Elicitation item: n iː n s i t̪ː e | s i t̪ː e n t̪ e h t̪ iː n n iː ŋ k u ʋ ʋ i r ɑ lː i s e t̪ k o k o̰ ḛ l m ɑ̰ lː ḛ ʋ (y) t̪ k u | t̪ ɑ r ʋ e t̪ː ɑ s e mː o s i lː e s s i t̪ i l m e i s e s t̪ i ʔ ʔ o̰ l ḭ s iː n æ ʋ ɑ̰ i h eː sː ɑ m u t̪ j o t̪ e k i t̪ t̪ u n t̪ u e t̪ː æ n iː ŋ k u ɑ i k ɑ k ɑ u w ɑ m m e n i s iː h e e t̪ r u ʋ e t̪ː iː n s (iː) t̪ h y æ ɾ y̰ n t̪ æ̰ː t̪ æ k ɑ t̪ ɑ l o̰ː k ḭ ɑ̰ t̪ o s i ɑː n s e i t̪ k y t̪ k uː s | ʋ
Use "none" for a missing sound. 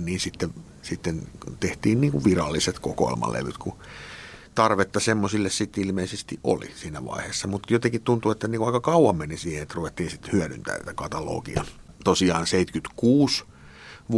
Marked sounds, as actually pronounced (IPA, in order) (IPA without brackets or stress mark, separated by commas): y, i